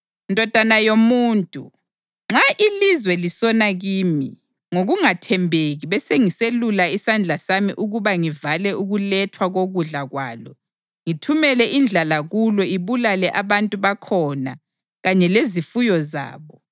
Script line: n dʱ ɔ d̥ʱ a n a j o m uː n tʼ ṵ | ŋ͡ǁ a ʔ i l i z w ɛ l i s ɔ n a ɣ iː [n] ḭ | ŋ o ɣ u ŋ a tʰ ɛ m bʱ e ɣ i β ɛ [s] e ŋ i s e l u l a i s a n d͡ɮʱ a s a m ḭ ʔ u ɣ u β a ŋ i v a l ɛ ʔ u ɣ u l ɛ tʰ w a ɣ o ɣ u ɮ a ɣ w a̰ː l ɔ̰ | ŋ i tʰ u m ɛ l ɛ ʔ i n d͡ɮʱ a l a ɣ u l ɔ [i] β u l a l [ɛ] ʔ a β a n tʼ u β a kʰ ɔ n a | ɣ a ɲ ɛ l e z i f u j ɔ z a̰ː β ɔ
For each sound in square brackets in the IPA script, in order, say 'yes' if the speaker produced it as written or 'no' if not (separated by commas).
no, yes, yes, yes